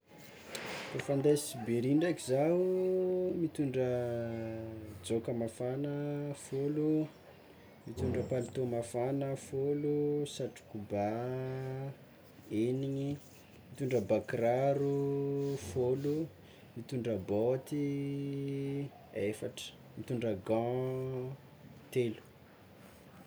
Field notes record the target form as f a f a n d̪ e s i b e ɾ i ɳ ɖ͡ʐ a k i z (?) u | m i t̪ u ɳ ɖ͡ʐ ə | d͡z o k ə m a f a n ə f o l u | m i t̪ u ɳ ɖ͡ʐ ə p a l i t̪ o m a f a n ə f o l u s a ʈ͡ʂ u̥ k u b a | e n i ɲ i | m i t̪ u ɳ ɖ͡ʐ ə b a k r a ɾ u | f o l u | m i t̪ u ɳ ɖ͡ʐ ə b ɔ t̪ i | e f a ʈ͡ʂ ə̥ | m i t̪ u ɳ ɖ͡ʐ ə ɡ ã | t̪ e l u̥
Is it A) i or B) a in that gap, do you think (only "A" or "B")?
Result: B